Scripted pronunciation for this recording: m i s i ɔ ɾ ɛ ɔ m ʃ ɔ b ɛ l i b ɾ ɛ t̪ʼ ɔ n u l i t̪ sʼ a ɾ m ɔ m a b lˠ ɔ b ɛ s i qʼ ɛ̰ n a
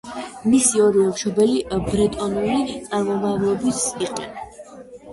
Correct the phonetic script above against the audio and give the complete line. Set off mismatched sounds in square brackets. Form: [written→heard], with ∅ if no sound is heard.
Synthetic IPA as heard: m i s i ɔ ɾ [ɛ→i] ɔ m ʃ ɔ b ɛ l i b ɾ ɛ t̪ʼ ɔ n u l i t̪ sʼ a ɾ m ɔ m a [b→v] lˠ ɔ b [ɛ→i] s i qʼ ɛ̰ n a